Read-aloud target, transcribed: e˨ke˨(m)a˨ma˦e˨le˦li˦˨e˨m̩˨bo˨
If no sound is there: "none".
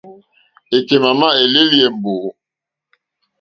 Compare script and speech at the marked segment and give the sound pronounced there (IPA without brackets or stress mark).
m